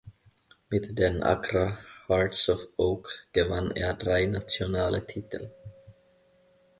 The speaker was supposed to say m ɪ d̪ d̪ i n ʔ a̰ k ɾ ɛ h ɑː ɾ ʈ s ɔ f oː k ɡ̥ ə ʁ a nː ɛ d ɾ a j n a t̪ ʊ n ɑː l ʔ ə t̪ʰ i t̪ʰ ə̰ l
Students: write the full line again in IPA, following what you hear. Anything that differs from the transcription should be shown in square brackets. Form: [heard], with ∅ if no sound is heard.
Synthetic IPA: m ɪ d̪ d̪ [ɛ] n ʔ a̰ k ɾ [a] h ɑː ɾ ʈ s ɔ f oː k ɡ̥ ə [v] a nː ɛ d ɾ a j n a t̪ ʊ n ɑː l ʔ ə t̪ʰ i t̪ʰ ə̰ l